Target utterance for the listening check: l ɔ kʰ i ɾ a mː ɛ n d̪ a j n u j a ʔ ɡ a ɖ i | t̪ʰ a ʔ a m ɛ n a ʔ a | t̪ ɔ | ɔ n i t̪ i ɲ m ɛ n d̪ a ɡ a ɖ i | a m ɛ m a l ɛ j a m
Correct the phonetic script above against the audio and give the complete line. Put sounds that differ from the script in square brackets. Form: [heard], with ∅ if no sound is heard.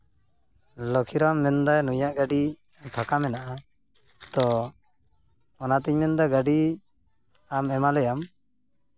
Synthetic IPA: l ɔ kʰ i ɾ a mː ɛ n d̪ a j n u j a ʔ ɡ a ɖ i | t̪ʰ a [k] a m ɛ n a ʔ a | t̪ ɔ | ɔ n [a] t̪ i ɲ m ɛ n d̪ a ɡ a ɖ i | a m ɛ m a l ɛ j a m